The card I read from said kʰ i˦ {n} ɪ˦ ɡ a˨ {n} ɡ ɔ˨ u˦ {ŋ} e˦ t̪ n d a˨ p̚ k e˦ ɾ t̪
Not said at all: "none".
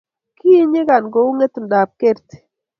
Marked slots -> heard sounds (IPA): ɲ, n, ŋ

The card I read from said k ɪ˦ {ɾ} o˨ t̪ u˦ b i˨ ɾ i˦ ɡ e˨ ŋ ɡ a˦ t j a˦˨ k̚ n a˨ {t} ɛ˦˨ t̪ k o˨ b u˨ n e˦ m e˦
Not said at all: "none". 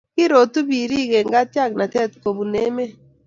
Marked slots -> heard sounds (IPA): ɾ, t

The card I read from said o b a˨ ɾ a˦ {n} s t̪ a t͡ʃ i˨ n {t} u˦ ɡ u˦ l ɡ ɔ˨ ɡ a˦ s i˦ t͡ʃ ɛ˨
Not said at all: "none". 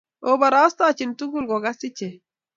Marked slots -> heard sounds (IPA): none, t

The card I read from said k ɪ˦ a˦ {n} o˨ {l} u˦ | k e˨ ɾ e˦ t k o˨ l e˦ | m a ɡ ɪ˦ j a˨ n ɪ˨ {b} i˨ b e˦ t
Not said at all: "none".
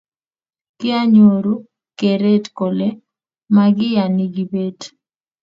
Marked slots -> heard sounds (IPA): ɲ, ɾ, ɡ

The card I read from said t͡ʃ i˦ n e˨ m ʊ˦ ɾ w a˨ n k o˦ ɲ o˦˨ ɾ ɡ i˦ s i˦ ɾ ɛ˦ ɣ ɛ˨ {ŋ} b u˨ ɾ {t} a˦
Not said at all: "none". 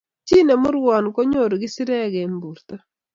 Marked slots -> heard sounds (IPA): m, t

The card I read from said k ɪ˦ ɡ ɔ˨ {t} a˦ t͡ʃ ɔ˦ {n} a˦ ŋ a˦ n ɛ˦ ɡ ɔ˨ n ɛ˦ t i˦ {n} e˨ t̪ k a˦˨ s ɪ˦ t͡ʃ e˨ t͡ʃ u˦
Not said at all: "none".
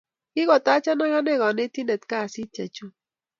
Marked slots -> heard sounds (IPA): t, n, n

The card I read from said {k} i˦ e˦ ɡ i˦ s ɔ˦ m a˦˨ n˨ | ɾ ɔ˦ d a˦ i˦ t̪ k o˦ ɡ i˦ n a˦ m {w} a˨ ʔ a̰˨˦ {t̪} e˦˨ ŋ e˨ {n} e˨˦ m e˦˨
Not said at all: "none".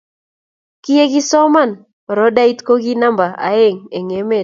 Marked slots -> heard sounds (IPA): k, b, none, ŋ

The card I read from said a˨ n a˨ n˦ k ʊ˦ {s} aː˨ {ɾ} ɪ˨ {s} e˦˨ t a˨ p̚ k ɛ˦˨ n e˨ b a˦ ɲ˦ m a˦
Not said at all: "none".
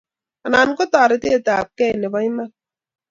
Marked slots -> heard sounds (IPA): t, ɾ, t

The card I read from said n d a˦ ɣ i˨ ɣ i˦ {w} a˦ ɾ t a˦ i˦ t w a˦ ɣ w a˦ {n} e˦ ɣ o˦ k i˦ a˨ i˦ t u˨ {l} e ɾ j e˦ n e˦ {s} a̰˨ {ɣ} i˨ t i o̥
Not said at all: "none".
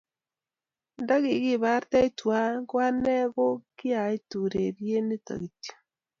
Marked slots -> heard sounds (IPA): β, n, ɾ, t, ɣ

